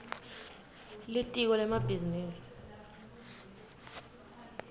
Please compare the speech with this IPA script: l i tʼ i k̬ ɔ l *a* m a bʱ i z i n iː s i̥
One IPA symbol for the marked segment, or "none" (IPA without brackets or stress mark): ɛ